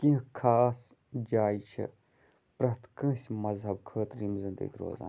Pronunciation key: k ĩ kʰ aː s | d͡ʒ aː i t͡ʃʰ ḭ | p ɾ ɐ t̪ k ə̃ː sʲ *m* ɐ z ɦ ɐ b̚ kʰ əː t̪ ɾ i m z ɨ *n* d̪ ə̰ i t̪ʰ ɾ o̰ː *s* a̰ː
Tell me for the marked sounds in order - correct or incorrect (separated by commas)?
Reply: correct, correct, incorrect